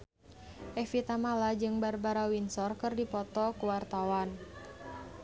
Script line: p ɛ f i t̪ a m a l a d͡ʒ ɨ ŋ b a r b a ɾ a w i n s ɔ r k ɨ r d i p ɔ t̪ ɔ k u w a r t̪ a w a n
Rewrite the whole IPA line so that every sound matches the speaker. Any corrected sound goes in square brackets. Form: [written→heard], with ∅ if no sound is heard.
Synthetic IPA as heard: [p→ʔ] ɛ f i t̪ a m a l a d͡ʒ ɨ ŋ b a r b a ɾ a w i n s ɔ r k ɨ r d i p ɔ t̪ ɔ k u w a r t̪ a w a n